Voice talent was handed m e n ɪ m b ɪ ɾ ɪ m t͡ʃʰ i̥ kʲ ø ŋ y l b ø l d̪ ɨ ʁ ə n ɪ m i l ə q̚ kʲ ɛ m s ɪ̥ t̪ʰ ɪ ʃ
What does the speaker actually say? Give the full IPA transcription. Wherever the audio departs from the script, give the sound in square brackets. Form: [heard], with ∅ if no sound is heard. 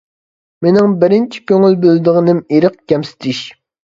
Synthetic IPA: m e n ɪ [ŋ] b ɪ ɾ ɪ [n] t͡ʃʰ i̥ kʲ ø ŋ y l b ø l d̪ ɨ ʁ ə n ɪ m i [ɾ] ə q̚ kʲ ɛ m s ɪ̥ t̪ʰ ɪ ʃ

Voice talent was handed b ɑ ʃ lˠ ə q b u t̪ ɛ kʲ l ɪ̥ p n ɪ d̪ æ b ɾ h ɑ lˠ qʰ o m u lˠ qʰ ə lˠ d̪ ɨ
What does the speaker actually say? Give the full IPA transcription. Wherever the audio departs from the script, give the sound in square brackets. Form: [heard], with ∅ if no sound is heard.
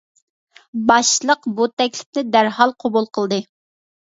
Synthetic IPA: b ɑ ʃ lˠ ə q b u t̪ ɛ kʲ l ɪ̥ p n ɪ d̪ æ [∅] ɾ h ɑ lˠ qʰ o [b] u lˠ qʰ ə lˠ d̪ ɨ

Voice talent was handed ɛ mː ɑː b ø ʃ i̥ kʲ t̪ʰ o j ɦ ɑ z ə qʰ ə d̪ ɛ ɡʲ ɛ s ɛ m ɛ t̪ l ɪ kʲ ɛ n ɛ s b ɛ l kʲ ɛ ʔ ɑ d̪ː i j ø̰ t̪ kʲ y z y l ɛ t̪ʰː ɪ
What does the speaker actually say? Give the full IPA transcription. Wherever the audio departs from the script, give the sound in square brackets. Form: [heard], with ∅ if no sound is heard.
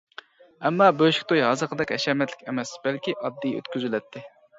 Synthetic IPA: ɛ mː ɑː b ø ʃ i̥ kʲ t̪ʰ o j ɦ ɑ z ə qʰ ə d̪ ɛ [kʲ] ɛ [ʃ] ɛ m ɛ t̪ l ɪ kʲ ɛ [m] ɛ s b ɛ l kʲ [i] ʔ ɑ d̪ː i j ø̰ t̪ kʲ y z y l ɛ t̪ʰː ɪ

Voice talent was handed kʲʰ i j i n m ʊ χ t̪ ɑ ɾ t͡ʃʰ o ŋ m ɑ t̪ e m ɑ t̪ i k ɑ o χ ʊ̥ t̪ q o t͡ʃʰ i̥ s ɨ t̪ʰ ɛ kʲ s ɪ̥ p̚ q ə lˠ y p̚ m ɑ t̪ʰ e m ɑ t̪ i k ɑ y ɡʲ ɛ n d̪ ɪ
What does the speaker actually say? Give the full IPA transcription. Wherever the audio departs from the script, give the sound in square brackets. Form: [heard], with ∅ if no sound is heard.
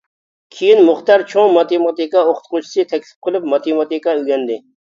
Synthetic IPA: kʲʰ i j i n m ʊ χ t̪ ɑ ɾ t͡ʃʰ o ŋ m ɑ t̪ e m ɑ t̪ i k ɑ o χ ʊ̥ t̪ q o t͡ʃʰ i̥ s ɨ t̪ʰ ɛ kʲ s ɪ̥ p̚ q ə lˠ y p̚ m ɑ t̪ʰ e m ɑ t̪ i k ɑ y ɡʲ ɛ n d̪ ɪ

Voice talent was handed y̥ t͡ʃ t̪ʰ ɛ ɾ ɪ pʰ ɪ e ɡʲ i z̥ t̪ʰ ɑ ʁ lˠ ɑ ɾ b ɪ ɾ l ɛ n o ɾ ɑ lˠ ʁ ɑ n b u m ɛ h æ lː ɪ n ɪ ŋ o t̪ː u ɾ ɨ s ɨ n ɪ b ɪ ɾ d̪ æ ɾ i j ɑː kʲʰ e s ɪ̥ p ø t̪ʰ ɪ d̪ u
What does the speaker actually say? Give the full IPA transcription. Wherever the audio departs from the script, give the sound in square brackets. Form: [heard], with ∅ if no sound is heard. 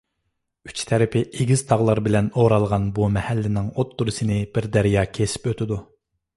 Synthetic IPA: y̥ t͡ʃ t̪ʰ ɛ ɾ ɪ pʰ ɪ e ɡʲ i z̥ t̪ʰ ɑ ʁ lˠ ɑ ɾ b ɪ [∅] l ɛ n o ɾ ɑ lˠ ʁ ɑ n b u m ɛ h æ lː ɪ n ɪ ŋ o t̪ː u ɾ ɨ s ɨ n ɪ b ɪ ɾ d̪ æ ɾ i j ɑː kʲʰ e s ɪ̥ p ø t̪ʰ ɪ d̪ u

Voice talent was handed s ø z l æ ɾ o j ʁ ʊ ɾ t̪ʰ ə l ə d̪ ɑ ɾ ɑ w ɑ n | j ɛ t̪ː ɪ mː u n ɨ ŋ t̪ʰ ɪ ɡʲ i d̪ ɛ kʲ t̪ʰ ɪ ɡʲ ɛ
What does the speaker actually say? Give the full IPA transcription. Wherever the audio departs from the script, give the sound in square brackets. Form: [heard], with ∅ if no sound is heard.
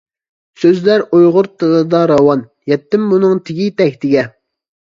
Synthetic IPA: s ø z l æ ɾ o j ʁ ʊ ɾ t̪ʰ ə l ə d̪ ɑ ɾ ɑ w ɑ n | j ɛ t̪ː ɪ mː u n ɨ ŋ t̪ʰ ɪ ɡʲ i [t̪] ɛ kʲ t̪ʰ ɪ ɡʲ ɛ

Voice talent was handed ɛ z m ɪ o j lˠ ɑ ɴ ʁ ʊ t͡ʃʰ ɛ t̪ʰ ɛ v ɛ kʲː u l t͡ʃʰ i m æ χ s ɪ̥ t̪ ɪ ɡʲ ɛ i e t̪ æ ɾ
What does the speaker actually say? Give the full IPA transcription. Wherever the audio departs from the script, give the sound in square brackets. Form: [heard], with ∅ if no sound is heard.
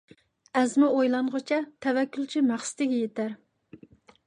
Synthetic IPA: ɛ z m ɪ o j lˠ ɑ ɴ ʁ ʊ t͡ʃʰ ɛ t̪ʰ ɛ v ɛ kʲː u l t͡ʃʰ i m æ χ s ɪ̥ t̪ ɪ ɡʲ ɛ [j] e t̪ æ ɾ

